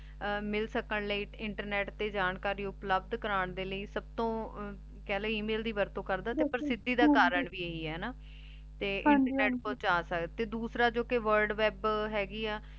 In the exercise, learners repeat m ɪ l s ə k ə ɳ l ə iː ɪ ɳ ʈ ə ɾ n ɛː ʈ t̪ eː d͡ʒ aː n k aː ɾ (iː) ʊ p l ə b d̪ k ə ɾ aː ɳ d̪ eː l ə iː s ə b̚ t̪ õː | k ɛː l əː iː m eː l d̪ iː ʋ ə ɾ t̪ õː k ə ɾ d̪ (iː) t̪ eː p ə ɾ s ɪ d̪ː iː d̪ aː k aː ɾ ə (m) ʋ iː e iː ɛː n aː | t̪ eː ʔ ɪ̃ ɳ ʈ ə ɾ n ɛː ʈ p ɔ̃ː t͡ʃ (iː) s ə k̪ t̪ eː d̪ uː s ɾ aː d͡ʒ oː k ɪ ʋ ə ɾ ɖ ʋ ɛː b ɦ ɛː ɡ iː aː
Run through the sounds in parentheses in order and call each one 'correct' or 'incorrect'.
correct, incorrect: aː, incorrect: ɳ, incorrect: aː

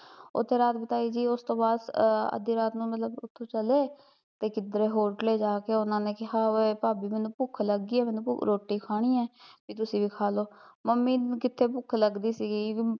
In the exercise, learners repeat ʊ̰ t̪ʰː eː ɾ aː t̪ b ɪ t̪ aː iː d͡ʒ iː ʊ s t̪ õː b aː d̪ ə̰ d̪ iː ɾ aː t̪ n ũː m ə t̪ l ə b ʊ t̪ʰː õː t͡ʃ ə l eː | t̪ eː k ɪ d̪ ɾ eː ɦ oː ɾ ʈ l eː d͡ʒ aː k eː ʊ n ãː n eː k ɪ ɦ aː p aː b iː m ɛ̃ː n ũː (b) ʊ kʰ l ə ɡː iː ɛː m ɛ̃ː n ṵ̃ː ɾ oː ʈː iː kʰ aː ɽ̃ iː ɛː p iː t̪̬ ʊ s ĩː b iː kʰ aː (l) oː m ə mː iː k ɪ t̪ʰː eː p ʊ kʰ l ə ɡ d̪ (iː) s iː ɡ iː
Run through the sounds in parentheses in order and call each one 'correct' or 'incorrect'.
incorrect: p, correct, correct

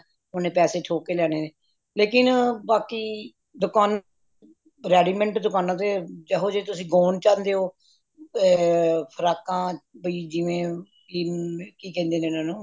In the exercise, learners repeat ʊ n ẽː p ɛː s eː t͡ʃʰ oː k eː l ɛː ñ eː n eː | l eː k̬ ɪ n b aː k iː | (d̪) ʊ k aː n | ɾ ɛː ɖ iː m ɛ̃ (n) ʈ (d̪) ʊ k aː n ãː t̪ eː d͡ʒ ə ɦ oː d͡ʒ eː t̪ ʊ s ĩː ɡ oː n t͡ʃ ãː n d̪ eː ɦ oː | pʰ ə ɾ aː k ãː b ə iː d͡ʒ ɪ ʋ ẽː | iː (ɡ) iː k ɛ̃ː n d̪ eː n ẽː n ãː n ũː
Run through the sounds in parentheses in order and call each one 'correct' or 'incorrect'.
correct, incorrect: ɳ, correct, incorrect: k

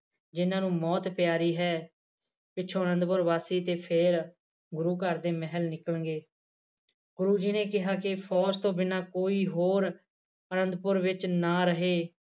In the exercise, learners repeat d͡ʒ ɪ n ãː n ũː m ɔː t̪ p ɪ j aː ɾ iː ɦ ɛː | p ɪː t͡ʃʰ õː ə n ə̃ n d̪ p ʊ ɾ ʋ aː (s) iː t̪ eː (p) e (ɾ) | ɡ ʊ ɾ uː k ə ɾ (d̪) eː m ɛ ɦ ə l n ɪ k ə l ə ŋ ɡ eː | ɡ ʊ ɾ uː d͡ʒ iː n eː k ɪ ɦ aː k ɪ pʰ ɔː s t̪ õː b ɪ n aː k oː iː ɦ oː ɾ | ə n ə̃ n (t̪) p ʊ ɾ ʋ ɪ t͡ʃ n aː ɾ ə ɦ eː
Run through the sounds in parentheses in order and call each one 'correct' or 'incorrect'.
correct, incorrect: pʰ, correct, correct, incorrect: d̪

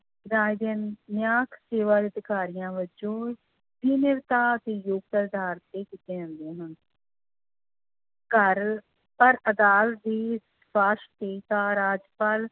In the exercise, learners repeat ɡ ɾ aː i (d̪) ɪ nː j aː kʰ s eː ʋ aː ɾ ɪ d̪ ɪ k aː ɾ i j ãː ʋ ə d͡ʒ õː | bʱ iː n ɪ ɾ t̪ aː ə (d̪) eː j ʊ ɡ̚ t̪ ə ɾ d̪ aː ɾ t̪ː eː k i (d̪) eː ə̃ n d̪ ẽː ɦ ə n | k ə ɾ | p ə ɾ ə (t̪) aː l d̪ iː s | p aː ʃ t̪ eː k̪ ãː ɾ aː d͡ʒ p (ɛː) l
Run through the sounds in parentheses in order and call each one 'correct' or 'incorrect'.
correct, incorrect: t̪, incorrect: t̪, incorrect: d̪, incorrect: aː

